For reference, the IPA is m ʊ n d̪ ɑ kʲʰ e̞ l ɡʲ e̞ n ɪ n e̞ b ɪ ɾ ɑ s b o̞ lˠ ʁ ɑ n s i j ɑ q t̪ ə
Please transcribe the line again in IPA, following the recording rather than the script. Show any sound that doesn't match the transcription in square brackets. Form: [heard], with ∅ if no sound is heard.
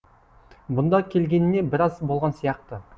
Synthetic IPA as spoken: [b] ʊ n d̪ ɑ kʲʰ e̞ l ɡʲ e̞ n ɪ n e̞ b ɪ ɾ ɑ [z] b o̞ lˠ ʁ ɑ n s i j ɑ q t̪ ə

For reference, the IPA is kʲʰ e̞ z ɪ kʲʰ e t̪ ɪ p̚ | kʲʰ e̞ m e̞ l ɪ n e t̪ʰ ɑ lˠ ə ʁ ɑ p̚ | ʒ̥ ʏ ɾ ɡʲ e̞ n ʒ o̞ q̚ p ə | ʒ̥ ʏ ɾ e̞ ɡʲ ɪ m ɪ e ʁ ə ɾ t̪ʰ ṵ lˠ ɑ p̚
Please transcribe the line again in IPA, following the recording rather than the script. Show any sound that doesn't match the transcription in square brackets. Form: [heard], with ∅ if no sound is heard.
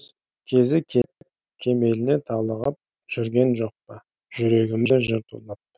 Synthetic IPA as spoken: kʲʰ e̞ z ɪ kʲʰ e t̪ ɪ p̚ | kʲʰ e̞ m e̞ l ɪ n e t̪ʰ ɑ lˠ ə ʁ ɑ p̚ | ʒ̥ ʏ ɾ ɡʲ e̞ n ʒ o̞ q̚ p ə | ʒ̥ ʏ ɾ e̞ ɡʲ ɪ m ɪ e [ʒ] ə ɾ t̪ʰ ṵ lˠ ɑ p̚

